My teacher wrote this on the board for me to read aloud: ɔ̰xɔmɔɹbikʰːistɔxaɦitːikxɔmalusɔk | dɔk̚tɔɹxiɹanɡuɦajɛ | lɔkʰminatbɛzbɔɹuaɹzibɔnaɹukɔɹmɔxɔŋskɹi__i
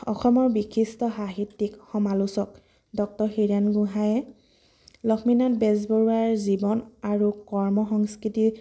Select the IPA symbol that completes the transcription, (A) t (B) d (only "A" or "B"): A